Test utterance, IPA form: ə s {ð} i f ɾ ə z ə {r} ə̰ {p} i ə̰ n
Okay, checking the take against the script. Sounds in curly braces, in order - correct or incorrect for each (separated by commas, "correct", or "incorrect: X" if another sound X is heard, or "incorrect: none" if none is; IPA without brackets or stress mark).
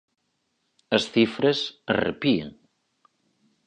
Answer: incorrect: θ, correct, correct